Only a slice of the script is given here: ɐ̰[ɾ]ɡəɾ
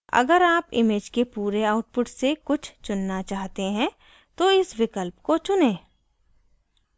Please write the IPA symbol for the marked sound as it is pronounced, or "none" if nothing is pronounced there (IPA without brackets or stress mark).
none